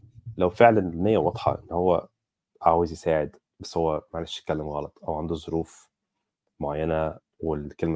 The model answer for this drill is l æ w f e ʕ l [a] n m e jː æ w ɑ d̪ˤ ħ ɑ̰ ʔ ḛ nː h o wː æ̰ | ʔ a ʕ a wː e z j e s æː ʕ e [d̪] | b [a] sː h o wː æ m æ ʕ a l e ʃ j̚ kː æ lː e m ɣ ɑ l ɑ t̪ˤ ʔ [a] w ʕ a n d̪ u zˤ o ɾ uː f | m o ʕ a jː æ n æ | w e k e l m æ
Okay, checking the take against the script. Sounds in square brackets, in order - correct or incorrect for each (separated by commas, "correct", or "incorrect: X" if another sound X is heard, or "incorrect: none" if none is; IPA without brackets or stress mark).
incorrect: æ, correct, incorrect: æ, incorrect: æ